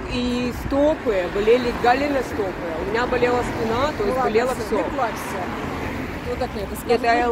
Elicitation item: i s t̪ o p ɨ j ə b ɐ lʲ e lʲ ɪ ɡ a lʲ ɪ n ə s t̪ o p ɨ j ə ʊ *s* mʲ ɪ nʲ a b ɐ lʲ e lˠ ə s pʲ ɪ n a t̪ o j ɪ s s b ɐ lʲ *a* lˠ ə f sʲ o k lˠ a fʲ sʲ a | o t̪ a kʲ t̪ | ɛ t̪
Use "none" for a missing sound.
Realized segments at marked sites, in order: none, e

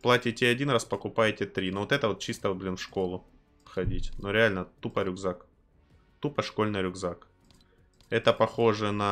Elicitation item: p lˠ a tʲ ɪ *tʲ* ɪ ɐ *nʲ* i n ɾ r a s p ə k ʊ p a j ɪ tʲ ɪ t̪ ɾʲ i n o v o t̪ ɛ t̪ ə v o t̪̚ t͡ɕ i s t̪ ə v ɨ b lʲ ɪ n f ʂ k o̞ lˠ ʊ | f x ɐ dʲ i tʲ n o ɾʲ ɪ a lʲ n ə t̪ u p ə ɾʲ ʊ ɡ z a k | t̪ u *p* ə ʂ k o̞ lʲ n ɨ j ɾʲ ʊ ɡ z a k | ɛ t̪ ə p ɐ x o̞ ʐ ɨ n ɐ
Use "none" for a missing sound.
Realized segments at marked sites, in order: tʲ, dʲ, p

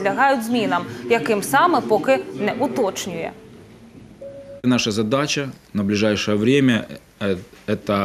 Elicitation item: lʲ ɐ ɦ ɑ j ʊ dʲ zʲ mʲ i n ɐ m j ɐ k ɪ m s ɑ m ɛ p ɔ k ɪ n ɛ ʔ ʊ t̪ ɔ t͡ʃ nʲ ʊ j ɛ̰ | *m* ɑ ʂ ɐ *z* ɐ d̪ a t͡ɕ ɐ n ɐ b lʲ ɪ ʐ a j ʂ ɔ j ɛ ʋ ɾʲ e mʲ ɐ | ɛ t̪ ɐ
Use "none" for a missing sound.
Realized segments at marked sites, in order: n, z

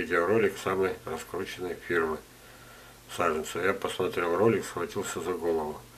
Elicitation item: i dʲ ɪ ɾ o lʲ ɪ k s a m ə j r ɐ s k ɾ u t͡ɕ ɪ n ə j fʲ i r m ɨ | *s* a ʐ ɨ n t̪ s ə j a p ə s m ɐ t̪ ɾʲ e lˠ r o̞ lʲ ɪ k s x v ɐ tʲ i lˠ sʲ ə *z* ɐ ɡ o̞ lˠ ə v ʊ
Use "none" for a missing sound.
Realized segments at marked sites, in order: s, z

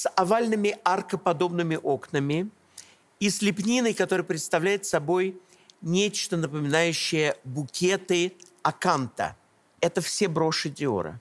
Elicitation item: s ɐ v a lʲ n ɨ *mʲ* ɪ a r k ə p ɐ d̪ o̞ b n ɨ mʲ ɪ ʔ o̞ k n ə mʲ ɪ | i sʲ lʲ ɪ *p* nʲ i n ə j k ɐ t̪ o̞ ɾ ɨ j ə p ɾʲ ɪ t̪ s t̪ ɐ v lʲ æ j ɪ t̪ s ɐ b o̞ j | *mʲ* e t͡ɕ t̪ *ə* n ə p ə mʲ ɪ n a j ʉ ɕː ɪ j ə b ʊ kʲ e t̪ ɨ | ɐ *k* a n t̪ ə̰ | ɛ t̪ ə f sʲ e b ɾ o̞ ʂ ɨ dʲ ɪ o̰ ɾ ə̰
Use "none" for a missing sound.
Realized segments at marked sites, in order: mʲ, p, nʲ, ə, k

